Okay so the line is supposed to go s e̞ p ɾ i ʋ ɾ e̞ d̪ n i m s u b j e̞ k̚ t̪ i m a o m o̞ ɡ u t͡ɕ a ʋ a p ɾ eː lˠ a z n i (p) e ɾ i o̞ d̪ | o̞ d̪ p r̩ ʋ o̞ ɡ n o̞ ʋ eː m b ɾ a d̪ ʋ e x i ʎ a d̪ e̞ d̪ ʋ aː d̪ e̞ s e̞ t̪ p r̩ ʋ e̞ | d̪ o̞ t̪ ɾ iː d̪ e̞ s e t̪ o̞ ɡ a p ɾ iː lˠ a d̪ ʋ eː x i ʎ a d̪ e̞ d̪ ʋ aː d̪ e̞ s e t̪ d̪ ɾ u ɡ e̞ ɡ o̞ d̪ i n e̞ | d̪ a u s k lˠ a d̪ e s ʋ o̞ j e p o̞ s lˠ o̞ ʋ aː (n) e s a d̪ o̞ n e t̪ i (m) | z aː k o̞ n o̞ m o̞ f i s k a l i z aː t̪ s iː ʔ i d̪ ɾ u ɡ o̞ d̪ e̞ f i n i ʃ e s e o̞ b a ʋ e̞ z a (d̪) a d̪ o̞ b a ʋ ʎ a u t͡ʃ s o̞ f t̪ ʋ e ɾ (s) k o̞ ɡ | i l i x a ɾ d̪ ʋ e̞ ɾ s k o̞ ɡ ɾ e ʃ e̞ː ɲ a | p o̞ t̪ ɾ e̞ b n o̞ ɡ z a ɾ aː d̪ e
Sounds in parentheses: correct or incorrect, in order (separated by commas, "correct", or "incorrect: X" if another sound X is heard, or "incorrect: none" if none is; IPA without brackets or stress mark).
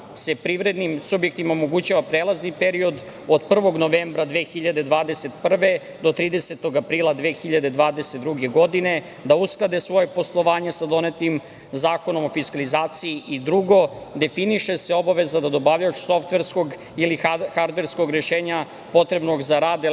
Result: correct, incorrect: ɲ, correct, correct, correct